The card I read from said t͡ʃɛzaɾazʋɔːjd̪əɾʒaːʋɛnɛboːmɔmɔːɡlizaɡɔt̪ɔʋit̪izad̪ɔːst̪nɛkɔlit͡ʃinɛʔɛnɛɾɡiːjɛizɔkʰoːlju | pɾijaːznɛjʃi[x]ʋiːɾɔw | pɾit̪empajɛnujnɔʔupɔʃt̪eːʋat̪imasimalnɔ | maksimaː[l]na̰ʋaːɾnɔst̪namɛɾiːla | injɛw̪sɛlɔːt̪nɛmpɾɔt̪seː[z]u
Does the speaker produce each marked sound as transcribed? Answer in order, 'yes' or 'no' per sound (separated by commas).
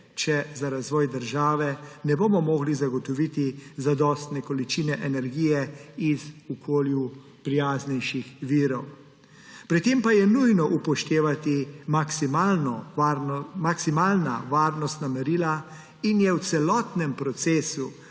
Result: yes, yes, no